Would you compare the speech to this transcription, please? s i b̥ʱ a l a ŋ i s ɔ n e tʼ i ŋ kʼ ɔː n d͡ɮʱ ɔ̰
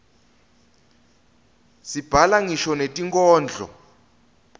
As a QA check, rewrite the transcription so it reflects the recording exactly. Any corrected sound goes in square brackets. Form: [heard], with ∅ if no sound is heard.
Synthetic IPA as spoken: s i b̥ʱ a l a ŋ i [ʃ] ɔ n e tʼ i ŋ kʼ ɔː n d͡ɮʱ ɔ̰